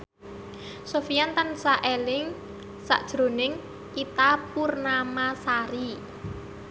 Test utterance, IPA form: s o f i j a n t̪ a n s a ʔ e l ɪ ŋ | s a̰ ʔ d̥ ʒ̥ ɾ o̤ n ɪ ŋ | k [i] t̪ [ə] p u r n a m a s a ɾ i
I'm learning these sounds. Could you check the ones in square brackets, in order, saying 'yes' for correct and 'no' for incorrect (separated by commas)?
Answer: yes, no